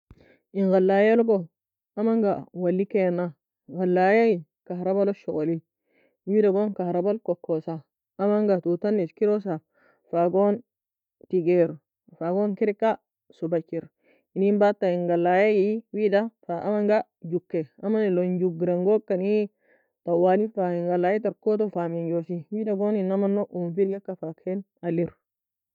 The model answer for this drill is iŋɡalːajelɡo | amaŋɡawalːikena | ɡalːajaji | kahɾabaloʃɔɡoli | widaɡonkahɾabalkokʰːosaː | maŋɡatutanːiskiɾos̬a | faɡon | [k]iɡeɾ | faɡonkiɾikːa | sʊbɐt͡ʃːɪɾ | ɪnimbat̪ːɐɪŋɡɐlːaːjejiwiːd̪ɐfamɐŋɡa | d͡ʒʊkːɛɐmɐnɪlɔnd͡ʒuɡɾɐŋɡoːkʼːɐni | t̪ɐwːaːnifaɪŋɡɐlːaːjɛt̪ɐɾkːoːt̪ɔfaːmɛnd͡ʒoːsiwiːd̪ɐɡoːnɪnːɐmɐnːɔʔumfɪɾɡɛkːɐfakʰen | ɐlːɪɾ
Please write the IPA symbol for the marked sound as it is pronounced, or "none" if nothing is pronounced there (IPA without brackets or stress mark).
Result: t